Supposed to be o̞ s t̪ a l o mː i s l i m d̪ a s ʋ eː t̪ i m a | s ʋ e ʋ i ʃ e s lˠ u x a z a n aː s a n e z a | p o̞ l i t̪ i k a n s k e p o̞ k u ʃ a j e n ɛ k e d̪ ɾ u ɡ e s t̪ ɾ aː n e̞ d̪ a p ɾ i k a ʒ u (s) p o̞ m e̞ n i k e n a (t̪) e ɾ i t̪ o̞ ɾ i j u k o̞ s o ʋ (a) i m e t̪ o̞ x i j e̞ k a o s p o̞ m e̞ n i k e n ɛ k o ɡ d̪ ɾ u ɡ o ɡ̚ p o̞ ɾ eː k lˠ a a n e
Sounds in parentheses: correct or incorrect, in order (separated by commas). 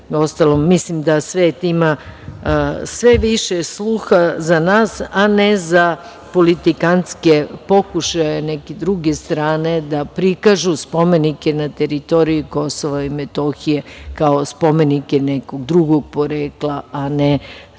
correct, correct, correct